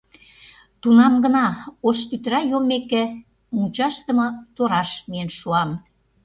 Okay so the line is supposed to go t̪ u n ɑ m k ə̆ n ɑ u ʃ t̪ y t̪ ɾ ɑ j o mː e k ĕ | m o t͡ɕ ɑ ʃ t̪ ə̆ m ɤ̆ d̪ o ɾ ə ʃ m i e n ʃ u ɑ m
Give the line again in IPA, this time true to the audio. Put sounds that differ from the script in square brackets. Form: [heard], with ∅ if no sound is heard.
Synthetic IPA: t̪ u n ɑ m [ɡ] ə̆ n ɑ [o] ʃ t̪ y t̪ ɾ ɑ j o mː e k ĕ | m [u] t͡ɕ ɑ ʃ t̪ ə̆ m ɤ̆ [t̪] o ɾ [ɑ] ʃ m i e n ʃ u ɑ m